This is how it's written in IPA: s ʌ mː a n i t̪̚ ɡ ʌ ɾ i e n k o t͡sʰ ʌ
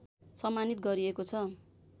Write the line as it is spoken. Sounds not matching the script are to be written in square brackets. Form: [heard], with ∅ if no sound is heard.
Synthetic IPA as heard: s ʌ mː a n i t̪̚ ɡ ʌ ɾ i e [∅] k o t͡sʰ ʌ